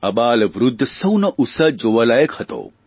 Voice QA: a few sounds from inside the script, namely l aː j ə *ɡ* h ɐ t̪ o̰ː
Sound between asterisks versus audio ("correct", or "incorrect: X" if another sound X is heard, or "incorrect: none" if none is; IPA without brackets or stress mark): incorrect: k